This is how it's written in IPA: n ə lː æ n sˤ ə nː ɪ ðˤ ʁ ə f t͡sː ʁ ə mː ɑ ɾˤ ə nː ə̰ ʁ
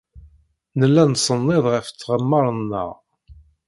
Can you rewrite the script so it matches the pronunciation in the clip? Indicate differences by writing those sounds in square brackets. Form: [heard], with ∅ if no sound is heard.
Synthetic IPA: n ə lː æ n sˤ ə nː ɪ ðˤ ʁ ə f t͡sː ʁ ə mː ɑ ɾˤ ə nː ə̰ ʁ